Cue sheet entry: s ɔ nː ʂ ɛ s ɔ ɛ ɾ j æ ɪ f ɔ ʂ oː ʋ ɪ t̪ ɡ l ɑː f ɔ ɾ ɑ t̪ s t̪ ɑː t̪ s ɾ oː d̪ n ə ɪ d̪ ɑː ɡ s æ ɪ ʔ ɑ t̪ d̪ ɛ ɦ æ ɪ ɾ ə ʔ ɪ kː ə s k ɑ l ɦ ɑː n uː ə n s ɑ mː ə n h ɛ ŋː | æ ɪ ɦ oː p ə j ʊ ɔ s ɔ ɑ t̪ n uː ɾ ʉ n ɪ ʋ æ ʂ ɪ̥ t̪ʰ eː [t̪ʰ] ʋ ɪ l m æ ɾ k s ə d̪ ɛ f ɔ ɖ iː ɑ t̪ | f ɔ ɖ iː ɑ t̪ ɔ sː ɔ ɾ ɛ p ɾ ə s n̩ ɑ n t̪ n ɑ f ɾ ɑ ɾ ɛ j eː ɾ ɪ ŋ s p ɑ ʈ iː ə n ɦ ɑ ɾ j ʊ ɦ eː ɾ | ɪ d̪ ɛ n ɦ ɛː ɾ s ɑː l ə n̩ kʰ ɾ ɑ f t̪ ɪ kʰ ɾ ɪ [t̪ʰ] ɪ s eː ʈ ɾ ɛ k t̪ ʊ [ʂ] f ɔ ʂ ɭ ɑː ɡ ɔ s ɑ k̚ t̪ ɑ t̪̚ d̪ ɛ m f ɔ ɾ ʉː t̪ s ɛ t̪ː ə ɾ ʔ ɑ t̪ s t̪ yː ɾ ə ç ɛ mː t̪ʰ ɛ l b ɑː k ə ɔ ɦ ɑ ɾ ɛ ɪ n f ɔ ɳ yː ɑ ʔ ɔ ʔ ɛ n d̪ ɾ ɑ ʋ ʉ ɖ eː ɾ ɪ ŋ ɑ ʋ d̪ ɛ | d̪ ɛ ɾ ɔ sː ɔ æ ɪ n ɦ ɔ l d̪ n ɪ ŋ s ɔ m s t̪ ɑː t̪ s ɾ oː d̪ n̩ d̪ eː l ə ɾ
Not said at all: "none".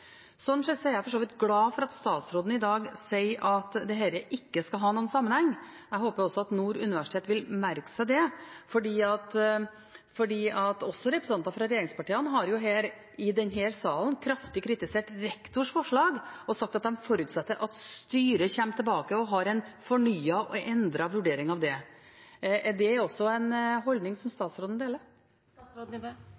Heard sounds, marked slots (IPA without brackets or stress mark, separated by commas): t̪, t̪, ʂ